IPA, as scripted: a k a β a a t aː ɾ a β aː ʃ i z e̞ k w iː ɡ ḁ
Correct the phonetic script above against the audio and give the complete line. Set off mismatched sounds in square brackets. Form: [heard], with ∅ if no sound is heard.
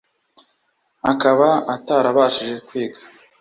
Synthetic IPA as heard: a k a β a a t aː ɾ a β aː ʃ i [ʒ] e̞ k w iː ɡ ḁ

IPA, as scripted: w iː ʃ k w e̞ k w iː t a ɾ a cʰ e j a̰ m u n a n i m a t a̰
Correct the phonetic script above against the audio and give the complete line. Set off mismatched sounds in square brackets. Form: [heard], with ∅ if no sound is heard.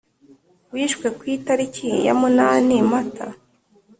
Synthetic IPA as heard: w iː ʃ k w e̞ k w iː t a ɾ [i] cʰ [i] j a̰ m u n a n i m a t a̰

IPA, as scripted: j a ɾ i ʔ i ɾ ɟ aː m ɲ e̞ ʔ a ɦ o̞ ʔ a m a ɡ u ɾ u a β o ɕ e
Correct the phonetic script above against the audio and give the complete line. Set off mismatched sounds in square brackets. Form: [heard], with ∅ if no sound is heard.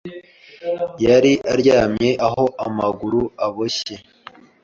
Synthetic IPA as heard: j a ɾ i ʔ [a] ɾ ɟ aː m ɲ e̞ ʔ a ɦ o̞ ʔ a m a ɡ u ɾ u a β o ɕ e

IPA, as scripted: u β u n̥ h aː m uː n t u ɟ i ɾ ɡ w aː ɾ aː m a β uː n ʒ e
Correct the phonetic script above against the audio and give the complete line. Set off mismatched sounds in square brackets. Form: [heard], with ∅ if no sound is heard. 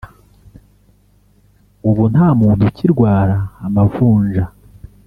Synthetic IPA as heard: u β u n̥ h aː m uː n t u [c] i ɾ ɡ w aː ɾ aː m a [v] uː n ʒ [a]

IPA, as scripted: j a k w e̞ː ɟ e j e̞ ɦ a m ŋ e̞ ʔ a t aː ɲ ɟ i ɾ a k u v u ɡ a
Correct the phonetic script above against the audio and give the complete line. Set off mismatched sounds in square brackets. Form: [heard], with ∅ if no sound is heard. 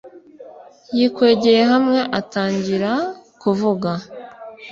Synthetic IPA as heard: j [i] k w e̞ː ɟ e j e̞ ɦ a m ŋ e̞ ʔ a t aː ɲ ɟ i ɾ a k u v u ɡ a

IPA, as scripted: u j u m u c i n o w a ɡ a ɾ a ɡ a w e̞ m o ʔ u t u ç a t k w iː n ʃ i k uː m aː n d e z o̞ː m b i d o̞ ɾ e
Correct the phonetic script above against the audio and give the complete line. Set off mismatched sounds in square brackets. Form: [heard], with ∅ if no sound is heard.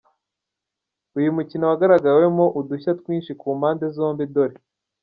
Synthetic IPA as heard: u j u m u c i n o w a ɡ a ɾ a ɡ a w e̞ m o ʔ u [d] u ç a t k w iː n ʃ i k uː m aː n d e z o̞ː m b i d o̞ ɾ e

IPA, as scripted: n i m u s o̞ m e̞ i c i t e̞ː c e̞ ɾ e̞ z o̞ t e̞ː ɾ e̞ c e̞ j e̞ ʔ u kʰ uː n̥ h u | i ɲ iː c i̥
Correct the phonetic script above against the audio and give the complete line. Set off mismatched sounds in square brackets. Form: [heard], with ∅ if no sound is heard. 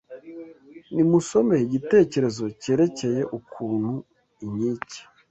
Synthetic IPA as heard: n i m u s o̞ m e̞ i [ɟ] i t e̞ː c e̞ ɾ e̞ z o̞ [c] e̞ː ɾ e̞ c e̞ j e̞ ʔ u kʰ uː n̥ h u | i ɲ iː c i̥

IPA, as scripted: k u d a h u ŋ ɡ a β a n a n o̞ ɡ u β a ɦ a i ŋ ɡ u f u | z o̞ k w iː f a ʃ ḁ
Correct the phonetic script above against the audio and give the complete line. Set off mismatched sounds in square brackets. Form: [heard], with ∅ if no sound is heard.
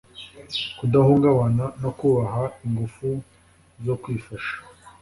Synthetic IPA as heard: k u d a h u ŋ ɡ a β a n a n o̞ [k] u β a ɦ a i ŋ ɡ u f u | z o̞ k w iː f a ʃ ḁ

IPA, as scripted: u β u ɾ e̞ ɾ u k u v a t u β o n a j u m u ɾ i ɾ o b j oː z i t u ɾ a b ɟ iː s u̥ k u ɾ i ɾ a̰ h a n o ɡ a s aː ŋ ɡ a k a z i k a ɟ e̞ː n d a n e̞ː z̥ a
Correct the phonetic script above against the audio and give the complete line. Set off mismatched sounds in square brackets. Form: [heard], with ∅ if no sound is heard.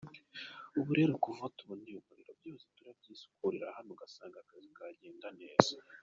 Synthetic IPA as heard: u β u ɾ e̞ ɾ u k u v a t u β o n [i] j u m u ɾ i ɾ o b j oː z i t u ɾ a b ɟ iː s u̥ k u ɾ i ɾ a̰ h a n o ɡ a s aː ŋ ɡ a k a z i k a ɟ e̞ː n d a n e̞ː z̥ a

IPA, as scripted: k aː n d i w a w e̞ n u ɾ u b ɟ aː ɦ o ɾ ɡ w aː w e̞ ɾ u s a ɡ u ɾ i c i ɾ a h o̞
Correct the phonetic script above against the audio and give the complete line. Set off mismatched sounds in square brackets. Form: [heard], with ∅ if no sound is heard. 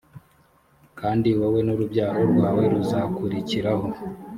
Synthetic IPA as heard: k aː n d i w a w e̞ n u ɾ u b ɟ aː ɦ o ɾ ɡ w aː w e̞ ɾ u [z] a [k] u ɾ i c i ɾ a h o̞

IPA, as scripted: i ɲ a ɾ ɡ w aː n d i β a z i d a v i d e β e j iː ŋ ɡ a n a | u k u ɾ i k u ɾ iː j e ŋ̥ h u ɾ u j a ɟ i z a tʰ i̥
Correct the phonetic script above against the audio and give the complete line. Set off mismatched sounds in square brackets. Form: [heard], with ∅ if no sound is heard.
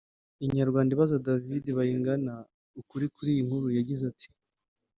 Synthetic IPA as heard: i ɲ a ɾ ɡ w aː n d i β a z [a] d a v i d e β [a] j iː ŋ ɡ a n a | u k u ɾ i k u ɾ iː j [i] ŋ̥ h u ɾ u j a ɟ i z a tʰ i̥

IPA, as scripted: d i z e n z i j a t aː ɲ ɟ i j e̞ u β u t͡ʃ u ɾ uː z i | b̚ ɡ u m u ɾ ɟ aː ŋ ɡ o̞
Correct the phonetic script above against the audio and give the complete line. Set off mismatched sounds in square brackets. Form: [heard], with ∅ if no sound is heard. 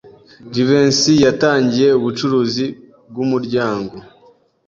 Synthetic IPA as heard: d i [v] e n [s] i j a t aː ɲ ɟ i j e̞ u β u t͡ʃ u ɾ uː z i | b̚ ɡ u m u ɾ ɟ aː ŋ ɡ o̞

